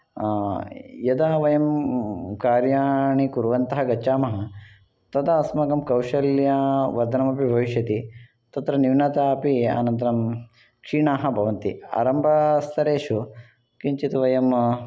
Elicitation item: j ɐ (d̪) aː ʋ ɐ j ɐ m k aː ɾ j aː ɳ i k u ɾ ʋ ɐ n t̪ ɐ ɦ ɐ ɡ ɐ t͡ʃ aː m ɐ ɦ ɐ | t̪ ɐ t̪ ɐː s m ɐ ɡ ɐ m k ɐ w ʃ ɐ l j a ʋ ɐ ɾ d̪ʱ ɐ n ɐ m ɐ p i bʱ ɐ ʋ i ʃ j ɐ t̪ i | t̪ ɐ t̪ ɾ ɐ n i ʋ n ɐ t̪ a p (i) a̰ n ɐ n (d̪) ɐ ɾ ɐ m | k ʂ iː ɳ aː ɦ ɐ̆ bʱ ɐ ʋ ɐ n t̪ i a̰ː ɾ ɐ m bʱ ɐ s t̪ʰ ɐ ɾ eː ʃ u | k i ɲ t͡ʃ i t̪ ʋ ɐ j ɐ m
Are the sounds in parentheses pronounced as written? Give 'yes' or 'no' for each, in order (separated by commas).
yes, yes, no